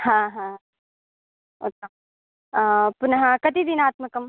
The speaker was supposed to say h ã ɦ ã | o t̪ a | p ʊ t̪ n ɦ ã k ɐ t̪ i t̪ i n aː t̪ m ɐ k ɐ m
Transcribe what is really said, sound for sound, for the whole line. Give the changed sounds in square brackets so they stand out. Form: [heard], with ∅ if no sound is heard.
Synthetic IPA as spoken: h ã ɦ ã | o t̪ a | p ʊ [∅] n ɦ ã k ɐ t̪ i [d̪] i n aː t̪ m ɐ k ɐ m